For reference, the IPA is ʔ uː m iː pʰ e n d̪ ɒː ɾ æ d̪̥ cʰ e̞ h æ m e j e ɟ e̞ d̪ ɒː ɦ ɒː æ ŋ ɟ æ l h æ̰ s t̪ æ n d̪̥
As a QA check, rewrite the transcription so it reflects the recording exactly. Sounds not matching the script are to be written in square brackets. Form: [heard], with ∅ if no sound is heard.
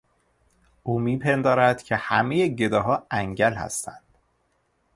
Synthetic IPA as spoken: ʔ uː m iː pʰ e n d̪ ɒː ɾ æ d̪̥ cʰ e̞ h æ m e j e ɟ e̞ d̪ ɒː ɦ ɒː æ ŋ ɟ æ l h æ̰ s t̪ æ n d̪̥